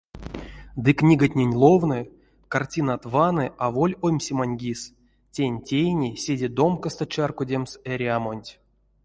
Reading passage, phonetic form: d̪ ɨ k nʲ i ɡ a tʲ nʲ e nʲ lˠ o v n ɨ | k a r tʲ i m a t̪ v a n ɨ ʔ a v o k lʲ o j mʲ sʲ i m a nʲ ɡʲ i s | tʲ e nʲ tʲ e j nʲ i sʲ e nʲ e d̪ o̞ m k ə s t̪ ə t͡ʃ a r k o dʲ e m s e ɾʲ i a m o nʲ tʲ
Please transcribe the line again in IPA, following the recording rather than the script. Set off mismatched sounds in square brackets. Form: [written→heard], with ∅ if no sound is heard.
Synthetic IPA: d̪ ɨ k nʲ i ɡ a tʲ nʲ e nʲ lˠ o v n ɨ | k a r tʲ i [m→n] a t̪ v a n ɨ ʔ a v o [k→∅] lʲ o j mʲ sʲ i m a nʲ ɡʲ i s | tʲ e nʲ tʲ e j nʲ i sʲ e [nʲ→dʲ] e d̪ o̞ m k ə s t̪ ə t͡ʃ a r k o dʲ e m s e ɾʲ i a m o nʲ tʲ